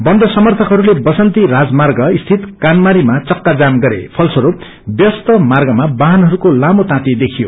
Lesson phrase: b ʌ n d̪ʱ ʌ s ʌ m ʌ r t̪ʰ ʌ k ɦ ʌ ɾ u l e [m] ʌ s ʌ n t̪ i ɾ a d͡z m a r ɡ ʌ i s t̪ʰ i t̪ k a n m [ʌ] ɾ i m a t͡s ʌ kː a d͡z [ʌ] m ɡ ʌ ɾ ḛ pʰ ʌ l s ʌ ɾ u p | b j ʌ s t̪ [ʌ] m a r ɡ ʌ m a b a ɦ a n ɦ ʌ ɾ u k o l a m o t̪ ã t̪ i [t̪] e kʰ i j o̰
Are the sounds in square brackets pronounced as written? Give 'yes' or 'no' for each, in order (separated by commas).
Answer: no, no, no, yes, no